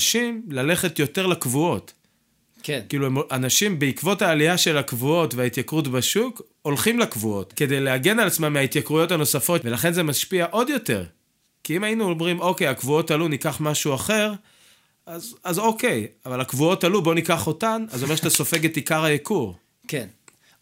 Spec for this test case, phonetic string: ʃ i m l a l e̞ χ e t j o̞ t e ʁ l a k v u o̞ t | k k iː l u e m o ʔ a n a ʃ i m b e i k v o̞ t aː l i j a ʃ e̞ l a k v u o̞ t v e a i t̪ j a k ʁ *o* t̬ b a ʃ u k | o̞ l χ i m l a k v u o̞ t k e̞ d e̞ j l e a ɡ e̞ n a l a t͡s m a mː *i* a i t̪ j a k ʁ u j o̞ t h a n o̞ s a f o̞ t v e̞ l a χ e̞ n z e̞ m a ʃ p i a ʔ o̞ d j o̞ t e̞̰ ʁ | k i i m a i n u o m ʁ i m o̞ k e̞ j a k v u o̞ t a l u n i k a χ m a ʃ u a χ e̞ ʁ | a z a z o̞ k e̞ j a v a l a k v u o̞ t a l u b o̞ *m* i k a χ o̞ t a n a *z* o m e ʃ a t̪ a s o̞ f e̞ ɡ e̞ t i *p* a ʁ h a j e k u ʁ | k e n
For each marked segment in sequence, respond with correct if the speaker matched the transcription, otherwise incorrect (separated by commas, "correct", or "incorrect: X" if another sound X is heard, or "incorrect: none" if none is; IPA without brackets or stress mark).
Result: incorrect: u, incorrect: e, incorrect: n, correct, incorrect: k